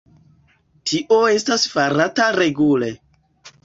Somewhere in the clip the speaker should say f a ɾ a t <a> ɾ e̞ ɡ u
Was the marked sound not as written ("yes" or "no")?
no